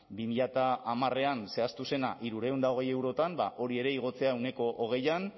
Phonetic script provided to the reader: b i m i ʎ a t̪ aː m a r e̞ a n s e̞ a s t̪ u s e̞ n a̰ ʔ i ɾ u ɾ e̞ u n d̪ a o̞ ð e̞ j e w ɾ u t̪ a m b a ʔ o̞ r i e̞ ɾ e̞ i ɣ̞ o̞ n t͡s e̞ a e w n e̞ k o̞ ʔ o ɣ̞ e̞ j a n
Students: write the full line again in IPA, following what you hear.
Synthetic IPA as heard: b i m i ʎ a t̪ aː m a r e̞ a n s e̞ a s t̪ u s e̞ n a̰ ʔ i ɾ u ɾ e̞ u n d̪ a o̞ ɣ e̞ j e w ɾ o t̪ a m b a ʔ o̞ ɾ i e̞ ɾ e̞ i ɣ̞ o̞ t͡s e̞ a e w n e̞ k o̞ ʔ o ɣ̞ e̞ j a n